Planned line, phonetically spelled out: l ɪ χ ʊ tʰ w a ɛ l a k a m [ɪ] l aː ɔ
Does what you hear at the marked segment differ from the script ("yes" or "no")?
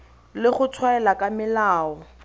no